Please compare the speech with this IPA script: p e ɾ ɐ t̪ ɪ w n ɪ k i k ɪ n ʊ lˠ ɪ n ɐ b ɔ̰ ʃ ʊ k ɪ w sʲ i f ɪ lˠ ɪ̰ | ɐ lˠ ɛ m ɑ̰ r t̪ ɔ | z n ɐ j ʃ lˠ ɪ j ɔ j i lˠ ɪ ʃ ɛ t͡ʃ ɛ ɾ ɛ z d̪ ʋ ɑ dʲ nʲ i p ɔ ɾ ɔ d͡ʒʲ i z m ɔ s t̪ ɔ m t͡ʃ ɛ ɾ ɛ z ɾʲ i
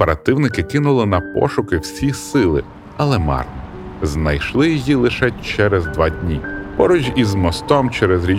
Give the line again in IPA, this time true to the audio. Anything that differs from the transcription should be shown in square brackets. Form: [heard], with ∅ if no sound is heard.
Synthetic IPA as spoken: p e ɾ ɐ t̪ ɪ w n ɪ k [ɪ] k ɪ n ʊ lˠ ɪ n ɐ [p] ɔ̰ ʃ ʊ k ɪ w sʲ i [s] ɪ lˠ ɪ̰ | ɐ lˠ ɛ m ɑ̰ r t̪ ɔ | z n ɐ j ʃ lˠ ɪ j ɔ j i lˠ ɪ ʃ ɛ t͡ʃ ɛ ɾ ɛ z d̪ ʋ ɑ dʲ nʲ i p ɔ ɾ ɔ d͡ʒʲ i z m ɔ s t̪ ɔ m t͡ʃ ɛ ɾ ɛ z ɾʲ i